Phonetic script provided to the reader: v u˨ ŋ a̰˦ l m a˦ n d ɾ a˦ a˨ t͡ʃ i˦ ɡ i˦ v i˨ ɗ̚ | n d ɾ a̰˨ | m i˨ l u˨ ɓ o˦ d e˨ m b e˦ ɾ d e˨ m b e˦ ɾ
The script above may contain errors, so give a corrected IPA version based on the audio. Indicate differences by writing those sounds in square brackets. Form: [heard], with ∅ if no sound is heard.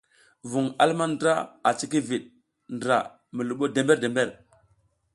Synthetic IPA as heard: v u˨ ŋ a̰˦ l m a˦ n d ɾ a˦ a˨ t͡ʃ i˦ [k] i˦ v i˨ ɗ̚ | n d ɾ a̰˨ | m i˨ l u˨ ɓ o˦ d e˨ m b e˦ ɾ d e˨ m b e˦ ɾ

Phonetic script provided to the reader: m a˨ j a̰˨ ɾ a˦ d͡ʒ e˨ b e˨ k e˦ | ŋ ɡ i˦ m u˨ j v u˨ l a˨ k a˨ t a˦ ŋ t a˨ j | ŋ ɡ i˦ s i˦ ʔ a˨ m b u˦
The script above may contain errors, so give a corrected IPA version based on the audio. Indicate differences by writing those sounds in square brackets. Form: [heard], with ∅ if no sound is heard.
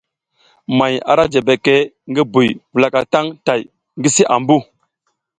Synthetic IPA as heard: m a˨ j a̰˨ ɾ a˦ d͡ʒ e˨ b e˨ k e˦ | ŋ ɡ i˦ [b] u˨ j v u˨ l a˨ k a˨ t a˦ ŋ t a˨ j | ŋ ɡ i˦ s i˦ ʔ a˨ m b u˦

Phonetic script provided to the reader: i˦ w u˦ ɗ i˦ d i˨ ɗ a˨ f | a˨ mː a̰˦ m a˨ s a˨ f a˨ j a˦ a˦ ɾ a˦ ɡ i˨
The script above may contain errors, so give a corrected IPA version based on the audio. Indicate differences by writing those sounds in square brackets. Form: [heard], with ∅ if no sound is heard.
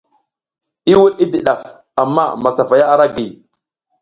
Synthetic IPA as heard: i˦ w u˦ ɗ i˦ d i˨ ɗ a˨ f | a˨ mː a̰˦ m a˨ s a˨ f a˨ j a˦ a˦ ɾ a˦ ɡ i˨

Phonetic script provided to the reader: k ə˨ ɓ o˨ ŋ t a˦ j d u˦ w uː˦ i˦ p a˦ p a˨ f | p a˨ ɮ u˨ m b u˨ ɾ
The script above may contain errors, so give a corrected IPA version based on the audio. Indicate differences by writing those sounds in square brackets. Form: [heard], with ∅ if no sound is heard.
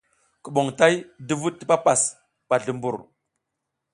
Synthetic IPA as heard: k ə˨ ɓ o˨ ŋ t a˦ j d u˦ [v] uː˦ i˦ p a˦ p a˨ [s] | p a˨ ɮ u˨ m b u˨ ɾ

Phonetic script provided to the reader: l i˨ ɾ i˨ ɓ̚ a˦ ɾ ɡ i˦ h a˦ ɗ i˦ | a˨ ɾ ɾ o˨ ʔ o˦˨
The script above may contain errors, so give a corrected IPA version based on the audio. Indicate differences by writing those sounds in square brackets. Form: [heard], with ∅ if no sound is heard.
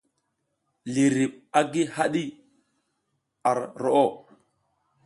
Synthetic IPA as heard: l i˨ ɾ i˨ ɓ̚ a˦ [∅] ɡ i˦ h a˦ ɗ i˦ | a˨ ɾ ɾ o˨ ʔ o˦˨

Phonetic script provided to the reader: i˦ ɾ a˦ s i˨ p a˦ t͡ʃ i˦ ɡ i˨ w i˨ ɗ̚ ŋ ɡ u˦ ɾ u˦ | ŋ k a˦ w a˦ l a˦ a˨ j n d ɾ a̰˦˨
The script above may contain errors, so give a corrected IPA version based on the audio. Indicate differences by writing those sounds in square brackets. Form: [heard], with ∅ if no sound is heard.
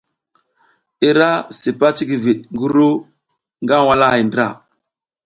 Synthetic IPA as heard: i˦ ɾ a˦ s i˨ p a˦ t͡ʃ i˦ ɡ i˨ [v] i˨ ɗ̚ ŋ ɡ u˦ ɾ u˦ | ŋ [ɡ] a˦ w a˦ l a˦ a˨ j n d ɾ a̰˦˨

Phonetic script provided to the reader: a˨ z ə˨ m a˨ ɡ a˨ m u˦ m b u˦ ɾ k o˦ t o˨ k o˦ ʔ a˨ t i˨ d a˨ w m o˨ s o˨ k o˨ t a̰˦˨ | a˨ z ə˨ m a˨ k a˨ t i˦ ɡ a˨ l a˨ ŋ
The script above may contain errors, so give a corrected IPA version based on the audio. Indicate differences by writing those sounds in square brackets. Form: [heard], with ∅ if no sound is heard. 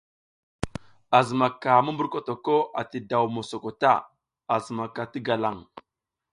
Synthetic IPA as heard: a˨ z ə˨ m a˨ [k] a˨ m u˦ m b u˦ ɾ k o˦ t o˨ k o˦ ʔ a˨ t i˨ d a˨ w m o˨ s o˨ k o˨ t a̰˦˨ | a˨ z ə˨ m a˨ k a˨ t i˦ ɡ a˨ l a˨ ŋ

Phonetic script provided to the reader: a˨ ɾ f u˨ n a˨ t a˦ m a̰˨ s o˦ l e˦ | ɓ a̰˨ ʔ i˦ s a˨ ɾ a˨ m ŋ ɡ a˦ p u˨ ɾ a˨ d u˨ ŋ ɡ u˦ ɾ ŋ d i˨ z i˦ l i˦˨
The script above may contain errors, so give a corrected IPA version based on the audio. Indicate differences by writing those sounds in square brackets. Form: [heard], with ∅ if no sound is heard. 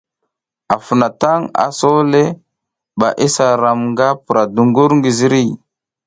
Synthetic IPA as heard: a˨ [∅] f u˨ n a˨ t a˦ [ŋ] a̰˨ s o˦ l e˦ | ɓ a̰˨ ʔ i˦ s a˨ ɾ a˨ m ŋ ɡ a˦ p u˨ ɾ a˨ d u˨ ŋ ɡ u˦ ɾ ŋ [ɡ] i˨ z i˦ [ɾ] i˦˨

